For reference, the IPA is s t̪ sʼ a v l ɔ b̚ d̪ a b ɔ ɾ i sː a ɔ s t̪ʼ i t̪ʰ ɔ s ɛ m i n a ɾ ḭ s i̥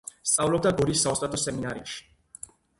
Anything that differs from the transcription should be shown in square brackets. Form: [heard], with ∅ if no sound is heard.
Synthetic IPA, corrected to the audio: s t̪ sʼ a v l ɔ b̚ d̪ a [ɡ] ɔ ɾ i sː a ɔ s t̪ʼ [a] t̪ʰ ɔ s ɛ m i n a ɾ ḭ [ʃ] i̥